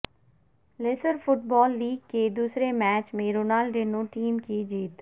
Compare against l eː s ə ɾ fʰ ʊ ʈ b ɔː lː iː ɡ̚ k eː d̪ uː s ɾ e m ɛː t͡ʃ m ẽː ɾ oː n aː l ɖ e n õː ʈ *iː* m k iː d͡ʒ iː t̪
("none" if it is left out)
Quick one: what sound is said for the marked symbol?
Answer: iː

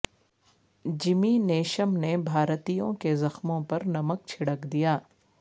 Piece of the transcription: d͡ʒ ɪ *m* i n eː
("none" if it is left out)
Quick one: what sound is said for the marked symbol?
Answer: m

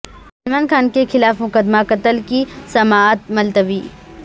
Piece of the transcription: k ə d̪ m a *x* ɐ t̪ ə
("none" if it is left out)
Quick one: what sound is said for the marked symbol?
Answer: k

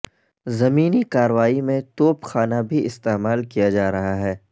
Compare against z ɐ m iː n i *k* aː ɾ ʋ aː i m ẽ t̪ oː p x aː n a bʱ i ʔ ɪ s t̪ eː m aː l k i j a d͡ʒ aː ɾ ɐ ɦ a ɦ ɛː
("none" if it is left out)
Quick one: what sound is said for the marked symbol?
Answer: k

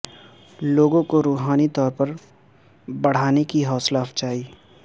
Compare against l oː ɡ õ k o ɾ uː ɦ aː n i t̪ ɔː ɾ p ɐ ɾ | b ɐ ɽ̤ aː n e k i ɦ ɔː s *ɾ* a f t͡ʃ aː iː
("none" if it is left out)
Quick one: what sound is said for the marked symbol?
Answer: l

